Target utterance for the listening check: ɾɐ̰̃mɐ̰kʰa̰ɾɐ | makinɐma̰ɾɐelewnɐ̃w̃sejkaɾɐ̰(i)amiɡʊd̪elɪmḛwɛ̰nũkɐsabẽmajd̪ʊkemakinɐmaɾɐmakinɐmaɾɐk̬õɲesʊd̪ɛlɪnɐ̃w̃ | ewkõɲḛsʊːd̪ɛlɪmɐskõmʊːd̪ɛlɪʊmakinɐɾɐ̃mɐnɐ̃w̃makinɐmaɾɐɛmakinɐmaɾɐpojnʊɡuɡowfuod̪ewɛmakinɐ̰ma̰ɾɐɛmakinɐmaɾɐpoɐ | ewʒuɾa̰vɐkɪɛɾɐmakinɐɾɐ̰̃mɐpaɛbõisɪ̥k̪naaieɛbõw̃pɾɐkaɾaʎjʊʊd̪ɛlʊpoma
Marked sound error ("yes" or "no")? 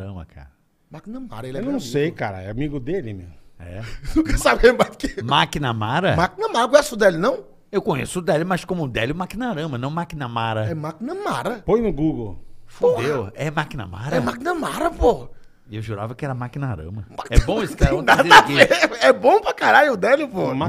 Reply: yes